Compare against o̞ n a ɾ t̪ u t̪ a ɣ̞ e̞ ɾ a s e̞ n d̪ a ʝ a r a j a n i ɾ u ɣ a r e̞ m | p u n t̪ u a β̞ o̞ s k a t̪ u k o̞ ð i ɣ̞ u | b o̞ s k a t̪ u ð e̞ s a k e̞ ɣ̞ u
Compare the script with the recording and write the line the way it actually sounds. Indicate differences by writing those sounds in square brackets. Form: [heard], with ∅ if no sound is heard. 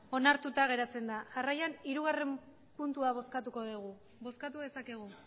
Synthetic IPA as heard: o̞ n a ɾ t̪ u t̪ a ɣ̞ e̞ ɾ a [t͡s] e̞ n d̪ a ʝ a r a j a n i ɾ u ɣ a r e̞ m | p u n t̪ u a β̞ o̞ s k a t̪ u k o̞ ð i ɣ̞ u | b o̞ s k a t̪ u ð e̞ s a k e̞ ɣ̞ u